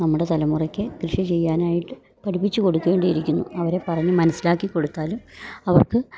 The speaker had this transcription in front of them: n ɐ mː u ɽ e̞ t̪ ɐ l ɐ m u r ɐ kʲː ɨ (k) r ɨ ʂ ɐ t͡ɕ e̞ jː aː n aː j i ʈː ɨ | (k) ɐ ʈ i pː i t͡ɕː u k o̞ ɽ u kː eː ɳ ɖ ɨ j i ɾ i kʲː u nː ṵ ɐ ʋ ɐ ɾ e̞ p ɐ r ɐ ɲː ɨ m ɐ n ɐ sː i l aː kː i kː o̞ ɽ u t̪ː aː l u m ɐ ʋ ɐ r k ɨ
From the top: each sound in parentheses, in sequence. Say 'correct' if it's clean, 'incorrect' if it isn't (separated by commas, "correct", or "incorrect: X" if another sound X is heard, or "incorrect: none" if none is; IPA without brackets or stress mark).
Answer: correct, incorrect: p